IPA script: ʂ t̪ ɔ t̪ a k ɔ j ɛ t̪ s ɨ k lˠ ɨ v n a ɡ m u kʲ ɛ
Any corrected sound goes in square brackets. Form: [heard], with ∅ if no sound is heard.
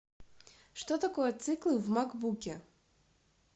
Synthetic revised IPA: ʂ t̪ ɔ t̪ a k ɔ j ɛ t̪ s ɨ k lˠ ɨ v [m] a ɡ [b] u kʲ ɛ